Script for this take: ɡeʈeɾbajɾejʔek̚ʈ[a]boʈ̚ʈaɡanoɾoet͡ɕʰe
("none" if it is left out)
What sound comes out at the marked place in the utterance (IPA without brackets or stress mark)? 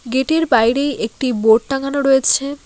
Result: i